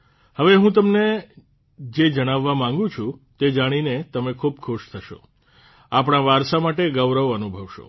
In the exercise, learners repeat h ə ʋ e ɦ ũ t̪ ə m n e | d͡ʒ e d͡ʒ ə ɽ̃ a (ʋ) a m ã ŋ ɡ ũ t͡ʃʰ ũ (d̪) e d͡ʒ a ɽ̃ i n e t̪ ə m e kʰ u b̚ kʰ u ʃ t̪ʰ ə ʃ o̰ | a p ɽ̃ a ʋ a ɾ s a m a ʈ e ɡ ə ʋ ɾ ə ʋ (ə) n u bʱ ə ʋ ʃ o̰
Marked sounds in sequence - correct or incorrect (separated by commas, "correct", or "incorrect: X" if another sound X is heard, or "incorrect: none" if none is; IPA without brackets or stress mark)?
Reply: incorrect: ʋː, incorrect: t̪, correct